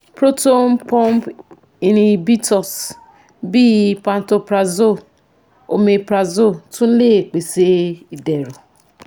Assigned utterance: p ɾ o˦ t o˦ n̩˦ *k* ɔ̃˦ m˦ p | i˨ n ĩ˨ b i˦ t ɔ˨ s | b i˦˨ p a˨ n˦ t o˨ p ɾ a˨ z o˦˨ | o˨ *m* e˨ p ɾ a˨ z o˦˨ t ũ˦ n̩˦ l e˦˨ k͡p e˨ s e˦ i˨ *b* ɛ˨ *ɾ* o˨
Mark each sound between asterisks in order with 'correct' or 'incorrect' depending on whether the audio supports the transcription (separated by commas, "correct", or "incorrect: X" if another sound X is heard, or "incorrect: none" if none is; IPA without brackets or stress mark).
incorrect: p, correct, incorrect: d, correct